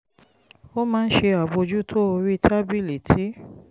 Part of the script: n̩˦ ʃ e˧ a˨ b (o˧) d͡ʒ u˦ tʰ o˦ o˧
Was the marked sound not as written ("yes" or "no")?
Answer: no